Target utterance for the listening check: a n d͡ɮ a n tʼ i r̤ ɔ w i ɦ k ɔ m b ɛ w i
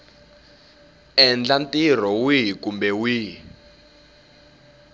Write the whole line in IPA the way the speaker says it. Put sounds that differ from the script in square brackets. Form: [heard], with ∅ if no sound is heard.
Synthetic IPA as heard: [ɛ] n d͡ɮ a n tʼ i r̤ ɔ w i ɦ k [u] m b ɛ w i